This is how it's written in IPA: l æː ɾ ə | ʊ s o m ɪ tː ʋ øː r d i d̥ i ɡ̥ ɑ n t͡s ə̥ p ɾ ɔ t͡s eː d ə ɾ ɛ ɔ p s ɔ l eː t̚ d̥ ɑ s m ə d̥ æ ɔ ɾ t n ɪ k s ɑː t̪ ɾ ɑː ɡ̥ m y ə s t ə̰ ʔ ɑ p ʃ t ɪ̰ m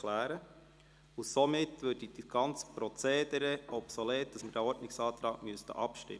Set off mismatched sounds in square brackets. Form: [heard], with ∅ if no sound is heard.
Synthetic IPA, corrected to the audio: l æː ɾ ə | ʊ s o m ɪ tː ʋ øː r d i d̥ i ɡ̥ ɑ n t͡s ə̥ p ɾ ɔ t͡s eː d ə ɾ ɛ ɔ p s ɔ l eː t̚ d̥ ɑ s m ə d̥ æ ɔ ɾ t n ɪ k s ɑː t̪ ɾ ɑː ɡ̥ m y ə s t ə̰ ʔ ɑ p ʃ t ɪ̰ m